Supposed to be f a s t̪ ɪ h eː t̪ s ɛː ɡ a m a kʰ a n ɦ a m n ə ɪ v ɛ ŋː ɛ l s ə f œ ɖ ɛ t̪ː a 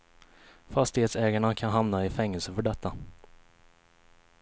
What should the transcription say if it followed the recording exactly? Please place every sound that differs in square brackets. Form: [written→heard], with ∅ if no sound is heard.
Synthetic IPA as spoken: f a s t̪ ɪ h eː t̪ s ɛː ɡ a [m→ɳ] a kʰ a n ɦ a m n [ə→a] ɪ [v→f] ɛ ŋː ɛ l s ə f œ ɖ ɛ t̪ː a